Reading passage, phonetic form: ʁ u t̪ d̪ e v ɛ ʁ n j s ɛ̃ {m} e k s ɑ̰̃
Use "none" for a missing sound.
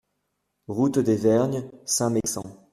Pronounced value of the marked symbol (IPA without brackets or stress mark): m